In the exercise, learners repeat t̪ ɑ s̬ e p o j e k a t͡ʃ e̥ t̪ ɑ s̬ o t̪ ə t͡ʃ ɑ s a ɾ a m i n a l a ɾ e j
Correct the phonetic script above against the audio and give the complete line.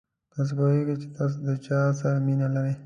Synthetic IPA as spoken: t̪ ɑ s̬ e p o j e ɡ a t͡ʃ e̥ t̪ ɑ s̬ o d̪ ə t͡ʃ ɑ s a ɾ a m i n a l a ɾ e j